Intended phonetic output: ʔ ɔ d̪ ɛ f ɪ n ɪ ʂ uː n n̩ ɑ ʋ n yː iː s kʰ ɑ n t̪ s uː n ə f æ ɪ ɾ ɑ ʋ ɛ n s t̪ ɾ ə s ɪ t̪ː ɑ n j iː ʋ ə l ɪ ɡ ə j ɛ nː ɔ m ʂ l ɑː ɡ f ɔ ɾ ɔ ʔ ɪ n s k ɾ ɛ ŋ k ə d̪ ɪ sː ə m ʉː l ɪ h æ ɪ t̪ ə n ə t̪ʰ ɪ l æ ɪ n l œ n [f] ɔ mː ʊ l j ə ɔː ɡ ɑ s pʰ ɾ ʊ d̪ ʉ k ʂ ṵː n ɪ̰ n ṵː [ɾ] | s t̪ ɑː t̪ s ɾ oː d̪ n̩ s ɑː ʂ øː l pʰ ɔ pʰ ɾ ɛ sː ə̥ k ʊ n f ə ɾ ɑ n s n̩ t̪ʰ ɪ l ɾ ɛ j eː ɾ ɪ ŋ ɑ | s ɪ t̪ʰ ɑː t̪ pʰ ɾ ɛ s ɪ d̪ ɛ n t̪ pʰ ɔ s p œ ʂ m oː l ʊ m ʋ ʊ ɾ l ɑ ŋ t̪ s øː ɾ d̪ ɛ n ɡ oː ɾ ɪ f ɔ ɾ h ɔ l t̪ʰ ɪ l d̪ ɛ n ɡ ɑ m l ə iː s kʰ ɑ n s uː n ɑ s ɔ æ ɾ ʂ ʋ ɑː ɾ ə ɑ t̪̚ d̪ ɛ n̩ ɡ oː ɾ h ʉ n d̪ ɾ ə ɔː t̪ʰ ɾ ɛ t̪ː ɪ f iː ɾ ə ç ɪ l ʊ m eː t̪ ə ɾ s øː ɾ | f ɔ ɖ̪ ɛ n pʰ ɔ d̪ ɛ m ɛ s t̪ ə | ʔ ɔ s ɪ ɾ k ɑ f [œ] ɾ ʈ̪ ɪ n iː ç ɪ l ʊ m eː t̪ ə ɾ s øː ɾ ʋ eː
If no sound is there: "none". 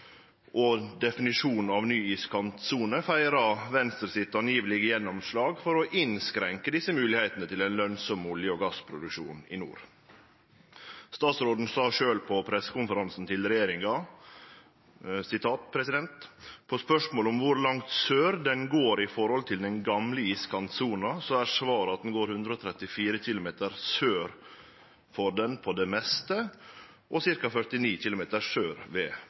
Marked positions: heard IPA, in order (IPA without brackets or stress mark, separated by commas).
s, ɾ, œ